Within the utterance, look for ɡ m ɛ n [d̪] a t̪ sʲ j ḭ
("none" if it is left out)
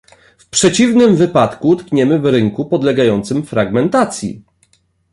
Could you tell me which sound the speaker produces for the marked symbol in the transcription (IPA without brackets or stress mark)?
t̪